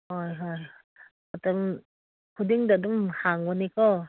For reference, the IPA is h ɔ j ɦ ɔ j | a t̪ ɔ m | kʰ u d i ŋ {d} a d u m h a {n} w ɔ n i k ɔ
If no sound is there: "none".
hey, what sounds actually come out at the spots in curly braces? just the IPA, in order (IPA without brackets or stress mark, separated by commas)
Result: d, ŋ